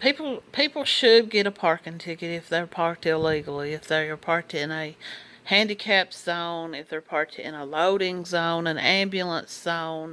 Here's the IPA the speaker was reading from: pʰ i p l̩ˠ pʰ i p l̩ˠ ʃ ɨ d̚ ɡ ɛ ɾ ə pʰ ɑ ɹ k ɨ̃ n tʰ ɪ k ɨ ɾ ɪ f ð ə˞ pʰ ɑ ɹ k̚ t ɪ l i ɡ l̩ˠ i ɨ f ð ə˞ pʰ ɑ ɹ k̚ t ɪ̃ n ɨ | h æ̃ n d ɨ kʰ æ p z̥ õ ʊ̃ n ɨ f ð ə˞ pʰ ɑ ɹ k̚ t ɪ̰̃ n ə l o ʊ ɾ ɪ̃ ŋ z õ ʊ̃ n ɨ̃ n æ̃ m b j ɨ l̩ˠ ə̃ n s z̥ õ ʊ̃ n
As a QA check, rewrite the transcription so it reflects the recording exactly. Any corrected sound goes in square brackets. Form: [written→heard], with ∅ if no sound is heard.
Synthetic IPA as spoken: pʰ i p l̩ˠ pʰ i p l̩ˠ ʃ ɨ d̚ ɡ ɛ ɾ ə pʰ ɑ ɹ k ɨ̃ n tʰ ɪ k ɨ ɾ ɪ f ð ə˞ pʰ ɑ ɹ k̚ t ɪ l i ɡ l̩ˠ i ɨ f ð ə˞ pʰ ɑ ɹ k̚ t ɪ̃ n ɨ | h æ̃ n d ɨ kʰ æ p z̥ õ ʊ̃ n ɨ f ð ə˞ pʰ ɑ ɹ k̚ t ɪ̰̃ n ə l o ʊ ɾ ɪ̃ ŋ z õ ʊ̃ n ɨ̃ n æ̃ m b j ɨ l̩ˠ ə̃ n s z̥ õ ʊ̃ n